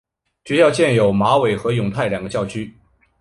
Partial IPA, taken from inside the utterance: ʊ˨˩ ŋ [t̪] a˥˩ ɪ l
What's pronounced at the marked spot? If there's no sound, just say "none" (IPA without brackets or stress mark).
t̪ʰ